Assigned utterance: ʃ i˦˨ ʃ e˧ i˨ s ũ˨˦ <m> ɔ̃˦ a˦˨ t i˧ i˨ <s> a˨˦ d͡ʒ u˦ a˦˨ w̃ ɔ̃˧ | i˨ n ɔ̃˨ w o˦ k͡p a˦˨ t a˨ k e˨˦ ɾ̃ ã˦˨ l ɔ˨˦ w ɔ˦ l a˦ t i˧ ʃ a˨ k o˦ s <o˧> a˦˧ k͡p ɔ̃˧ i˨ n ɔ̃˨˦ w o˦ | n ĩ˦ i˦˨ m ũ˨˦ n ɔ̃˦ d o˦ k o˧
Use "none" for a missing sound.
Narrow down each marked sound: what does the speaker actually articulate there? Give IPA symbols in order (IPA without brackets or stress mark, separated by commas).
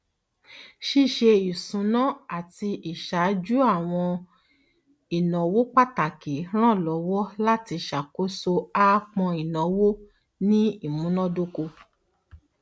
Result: n, ʃ, o˧